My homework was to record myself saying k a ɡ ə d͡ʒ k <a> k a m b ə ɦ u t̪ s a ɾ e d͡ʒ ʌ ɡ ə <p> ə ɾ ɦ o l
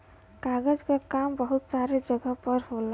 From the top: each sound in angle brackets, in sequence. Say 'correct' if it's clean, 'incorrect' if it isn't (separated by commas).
correct, correct